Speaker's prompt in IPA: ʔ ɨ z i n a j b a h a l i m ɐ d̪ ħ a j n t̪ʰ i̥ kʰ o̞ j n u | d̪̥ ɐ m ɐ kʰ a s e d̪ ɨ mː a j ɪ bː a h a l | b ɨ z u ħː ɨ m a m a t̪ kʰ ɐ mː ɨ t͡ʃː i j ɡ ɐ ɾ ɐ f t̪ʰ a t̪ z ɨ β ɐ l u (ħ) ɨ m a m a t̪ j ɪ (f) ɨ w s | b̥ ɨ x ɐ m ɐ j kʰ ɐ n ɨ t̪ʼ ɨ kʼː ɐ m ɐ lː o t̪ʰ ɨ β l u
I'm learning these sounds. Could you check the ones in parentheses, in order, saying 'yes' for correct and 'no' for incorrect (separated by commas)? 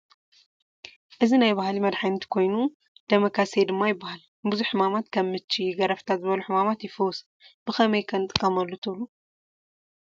yes, yes